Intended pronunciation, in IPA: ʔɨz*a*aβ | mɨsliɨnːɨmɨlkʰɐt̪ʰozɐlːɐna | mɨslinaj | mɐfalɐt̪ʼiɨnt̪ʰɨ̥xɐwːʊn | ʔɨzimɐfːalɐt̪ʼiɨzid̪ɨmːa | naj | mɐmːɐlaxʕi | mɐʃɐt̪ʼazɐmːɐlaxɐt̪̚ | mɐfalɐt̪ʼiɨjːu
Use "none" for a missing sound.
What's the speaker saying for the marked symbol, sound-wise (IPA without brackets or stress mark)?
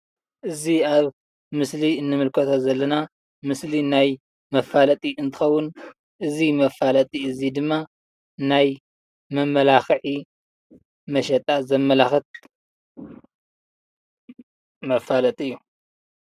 i